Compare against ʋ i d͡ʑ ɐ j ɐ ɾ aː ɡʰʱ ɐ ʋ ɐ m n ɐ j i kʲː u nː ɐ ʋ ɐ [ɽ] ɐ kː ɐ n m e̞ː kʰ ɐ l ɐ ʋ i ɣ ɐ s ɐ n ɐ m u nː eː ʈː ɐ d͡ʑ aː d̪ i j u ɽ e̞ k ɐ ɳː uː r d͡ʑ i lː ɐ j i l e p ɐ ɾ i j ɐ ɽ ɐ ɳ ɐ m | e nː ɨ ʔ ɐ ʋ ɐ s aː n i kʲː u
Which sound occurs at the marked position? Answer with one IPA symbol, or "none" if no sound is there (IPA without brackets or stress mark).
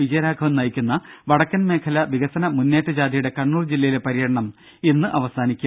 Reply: ɽ